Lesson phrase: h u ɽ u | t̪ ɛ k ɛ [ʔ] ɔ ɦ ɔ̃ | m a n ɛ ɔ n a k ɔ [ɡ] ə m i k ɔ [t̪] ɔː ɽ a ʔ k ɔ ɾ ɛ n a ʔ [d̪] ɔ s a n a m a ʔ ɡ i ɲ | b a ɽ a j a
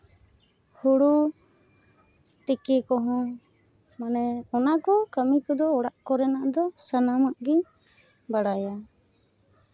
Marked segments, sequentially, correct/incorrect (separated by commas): incorrect, incorrect, incorrect, correct